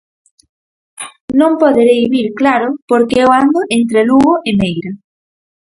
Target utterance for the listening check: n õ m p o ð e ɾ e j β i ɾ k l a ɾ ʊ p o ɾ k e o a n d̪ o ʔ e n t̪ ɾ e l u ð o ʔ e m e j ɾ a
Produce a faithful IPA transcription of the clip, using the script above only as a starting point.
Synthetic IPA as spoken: n õ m p o ð e ɾ e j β i ɾ k l a ɾ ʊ p o ɾ k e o a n d̪ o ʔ e n t̪ ɾ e l u ɣ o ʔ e m e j ɾ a